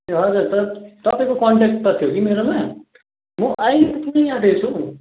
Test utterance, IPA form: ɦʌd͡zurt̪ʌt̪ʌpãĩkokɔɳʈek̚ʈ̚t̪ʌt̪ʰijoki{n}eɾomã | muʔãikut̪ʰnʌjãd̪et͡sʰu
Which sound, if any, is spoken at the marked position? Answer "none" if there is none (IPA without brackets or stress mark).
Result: m